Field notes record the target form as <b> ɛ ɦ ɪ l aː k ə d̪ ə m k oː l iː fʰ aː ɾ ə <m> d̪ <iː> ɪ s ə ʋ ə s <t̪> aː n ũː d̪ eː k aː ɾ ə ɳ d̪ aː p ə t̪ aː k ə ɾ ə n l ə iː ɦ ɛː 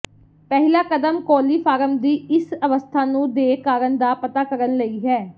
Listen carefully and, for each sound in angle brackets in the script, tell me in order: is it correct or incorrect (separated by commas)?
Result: incorrect, correct, correct, incorrect